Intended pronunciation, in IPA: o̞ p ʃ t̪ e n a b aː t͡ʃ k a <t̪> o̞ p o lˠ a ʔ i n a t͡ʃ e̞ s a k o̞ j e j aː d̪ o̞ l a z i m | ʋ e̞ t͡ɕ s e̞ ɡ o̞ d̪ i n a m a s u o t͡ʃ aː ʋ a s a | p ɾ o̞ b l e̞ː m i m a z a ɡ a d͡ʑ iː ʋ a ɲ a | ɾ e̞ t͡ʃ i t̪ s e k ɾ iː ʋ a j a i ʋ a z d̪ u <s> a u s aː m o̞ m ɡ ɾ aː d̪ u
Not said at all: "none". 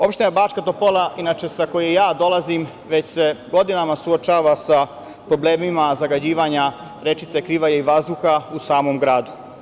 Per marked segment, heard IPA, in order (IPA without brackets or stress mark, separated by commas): t̪, x